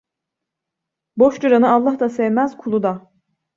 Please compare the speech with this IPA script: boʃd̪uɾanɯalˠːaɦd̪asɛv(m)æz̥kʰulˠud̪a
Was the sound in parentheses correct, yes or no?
yes